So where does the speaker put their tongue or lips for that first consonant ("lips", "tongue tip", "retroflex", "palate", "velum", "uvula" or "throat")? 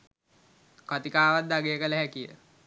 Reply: velum